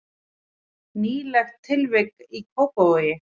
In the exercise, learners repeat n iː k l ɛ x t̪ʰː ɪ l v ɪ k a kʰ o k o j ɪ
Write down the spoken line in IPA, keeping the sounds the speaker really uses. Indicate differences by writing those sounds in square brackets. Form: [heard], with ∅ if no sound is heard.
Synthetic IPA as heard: n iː [∅] l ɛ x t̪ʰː ɪ l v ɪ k [i] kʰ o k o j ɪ